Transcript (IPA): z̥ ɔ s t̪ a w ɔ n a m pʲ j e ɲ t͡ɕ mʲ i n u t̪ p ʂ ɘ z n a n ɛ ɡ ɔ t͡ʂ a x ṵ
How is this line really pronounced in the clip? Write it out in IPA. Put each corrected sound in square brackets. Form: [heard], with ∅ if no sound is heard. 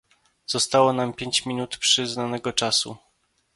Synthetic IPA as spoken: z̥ ɔ s t̪ a w ɔ n a m pʲ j e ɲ t͡ɕ mʲ i n u t̪ p ʂ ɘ z n a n ɛ ɡ ɔ t͡ʂ a [s] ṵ